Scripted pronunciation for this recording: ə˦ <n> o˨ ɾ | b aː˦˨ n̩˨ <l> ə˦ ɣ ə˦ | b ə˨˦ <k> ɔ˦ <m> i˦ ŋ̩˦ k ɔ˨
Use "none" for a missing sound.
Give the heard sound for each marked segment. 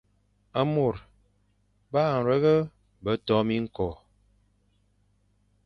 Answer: m, ɾ, t, m

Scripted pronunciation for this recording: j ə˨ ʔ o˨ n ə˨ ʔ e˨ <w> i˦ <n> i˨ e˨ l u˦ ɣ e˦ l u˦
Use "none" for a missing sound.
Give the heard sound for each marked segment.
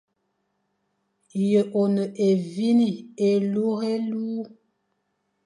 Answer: v, n

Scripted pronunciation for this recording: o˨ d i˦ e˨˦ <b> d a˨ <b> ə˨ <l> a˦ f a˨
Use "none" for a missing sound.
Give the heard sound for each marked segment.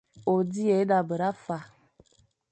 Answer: none, b, ɾ

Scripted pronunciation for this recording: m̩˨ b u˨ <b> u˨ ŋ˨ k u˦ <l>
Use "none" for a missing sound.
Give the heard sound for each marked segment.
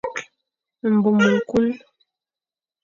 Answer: m, l

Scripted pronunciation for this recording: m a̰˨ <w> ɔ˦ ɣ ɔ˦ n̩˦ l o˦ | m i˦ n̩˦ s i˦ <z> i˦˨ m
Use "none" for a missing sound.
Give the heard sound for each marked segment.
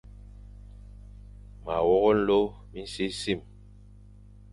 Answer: w, s

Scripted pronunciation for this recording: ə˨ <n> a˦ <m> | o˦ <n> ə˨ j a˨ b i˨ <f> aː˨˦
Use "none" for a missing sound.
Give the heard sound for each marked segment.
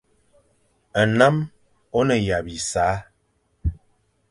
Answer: n, m, n, s

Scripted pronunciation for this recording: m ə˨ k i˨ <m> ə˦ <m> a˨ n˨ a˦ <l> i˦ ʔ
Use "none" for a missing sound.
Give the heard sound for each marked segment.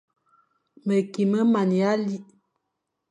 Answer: m, m, l

